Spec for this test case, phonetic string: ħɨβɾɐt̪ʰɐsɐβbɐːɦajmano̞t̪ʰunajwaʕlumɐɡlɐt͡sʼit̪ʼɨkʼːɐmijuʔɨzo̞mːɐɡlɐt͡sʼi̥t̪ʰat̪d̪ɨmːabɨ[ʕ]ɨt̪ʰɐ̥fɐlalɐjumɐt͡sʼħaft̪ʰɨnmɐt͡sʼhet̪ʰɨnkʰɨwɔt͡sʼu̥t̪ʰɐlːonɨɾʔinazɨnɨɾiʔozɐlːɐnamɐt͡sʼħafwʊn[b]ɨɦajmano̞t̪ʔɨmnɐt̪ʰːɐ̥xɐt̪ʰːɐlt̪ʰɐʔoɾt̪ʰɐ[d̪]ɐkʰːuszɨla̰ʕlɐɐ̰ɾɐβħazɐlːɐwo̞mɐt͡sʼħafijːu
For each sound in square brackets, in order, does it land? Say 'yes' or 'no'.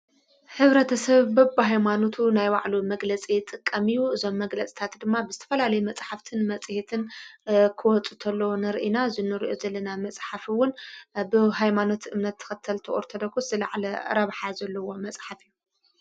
no, yes, yes

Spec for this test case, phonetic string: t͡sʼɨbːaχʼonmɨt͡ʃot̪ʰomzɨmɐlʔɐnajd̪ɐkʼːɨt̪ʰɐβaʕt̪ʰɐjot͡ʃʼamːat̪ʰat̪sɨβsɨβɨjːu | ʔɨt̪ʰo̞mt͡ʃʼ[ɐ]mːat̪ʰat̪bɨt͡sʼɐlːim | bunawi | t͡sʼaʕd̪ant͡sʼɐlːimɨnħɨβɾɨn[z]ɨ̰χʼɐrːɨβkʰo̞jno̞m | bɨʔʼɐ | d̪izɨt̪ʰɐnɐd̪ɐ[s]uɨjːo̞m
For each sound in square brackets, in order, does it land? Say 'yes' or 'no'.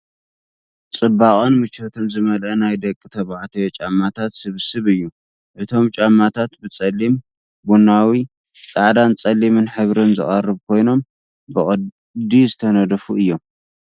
no, yes, no

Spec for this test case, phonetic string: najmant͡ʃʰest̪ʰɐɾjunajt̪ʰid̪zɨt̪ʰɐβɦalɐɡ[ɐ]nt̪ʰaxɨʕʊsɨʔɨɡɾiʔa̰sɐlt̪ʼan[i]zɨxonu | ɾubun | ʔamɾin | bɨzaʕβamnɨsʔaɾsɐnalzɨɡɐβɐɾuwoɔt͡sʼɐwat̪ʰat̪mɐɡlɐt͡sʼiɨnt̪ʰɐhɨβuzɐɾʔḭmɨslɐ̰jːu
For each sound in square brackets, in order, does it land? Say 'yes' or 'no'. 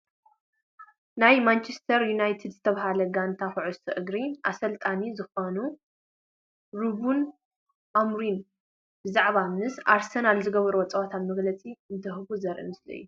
no, yes

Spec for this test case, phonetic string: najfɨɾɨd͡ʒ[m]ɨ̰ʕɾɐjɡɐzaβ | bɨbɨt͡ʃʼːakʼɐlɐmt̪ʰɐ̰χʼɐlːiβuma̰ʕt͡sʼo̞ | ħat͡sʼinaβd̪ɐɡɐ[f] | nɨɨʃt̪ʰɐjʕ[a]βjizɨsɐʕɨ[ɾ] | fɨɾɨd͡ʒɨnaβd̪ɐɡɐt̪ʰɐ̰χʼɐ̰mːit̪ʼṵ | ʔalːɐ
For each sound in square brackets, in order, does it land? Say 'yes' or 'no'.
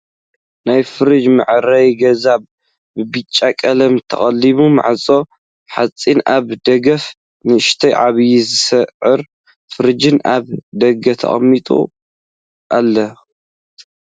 yes, yes, yes, yes

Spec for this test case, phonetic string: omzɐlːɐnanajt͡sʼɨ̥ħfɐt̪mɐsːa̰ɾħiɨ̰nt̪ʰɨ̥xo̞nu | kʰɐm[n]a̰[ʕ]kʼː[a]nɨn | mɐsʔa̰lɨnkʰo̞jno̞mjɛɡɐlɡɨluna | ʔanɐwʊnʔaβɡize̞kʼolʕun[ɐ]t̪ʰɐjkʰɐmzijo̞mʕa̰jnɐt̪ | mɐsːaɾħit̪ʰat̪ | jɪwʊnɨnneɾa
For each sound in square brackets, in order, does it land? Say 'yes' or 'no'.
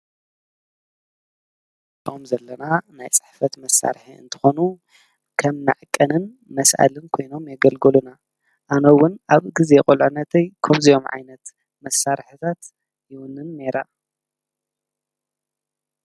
yes, yes, no, yes

